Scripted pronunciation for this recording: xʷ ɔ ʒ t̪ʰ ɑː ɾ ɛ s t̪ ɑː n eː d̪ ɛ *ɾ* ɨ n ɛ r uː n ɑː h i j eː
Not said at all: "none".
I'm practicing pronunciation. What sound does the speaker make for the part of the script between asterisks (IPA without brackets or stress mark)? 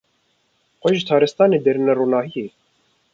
ɾ